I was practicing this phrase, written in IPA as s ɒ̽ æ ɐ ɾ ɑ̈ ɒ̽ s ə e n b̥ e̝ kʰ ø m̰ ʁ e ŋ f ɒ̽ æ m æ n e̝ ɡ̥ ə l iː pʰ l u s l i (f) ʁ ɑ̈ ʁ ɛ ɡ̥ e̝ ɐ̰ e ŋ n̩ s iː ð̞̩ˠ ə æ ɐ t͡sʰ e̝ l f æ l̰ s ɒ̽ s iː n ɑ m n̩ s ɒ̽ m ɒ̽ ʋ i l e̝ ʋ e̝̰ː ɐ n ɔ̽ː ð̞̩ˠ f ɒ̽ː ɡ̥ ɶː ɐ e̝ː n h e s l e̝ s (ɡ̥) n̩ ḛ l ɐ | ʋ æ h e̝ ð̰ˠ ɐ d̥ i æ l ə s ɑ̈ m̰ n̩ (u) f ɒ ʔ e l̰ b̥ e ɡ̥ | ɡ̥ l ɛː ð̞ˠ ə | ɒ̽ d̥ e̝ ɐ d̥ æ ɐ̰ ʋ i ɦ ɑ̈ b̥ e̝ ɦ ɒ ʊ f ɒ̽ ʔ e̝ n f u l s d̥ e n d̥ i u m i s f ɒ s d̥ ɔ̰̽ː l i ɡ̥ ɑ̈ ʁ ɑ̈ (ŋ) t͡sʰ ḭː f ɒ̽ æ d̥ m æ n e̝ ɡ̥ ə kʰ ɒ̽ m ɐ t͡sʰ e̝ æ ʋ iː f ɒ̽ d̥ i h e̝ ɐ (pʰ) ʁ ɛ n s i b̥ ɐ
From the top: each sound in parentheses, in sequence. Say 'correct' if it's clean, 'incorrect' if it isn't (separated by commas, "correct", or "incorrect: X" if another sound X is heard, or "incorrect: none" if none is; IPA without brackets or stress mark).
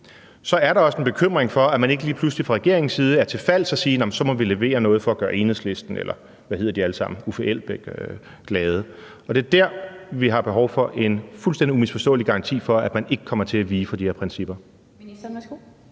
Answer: correct, incorrect: d̥, correct, incorrect: n, correct